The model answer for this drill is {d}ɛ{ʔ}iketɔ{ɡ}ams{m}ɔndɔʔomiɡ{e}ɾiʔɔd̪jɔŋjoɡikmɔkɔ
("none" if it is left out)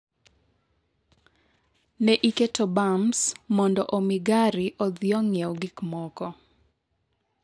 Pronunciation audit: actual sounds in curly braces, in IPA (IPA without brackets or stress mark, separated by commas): n, ʔ, b, m, a